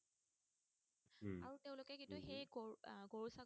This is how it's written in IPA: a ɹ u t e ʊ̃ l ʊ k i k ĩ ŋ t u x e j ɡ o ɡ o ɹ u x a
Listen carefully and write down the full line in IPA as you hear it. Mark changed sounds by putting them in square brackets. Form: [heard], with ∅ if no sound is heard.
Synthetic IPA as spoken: a ɹ u t e ʊ̃ l ʊ k [ɛ] k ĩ [n] t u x e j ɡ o ɡ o ɹ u [s] a

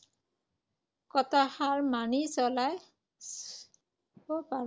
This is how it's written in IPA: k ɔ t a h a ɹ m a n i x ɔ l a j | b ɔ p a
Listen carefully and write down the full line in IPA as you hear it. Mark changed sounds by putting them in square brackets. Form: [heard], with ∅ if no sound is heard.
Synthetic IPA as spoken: k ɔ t a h a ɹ m a n i [s] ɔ l a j | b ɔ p a

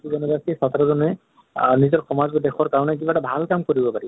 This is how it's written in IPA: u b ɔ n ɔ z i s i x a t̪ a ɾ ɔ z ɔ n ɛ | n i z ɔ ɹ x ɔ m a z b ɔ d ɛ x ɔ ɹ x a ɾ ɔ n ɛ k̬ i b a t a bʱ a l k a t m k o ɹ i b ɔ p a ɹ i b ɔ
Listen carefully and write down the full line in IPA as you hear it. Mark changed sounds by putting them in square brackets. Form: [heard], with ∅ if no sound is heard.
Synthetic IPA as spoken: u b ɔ n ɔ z [a] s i [s] a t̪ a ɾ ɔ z ɔ n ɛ | n i z ɔ ɹ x ɔ m a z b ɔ d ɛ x ɔ ɹ [k] a [ɹ] ɔ n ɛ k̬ i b a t a bʱ a l k a [∅] m k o ɹ i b ɔ p a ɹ i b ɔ

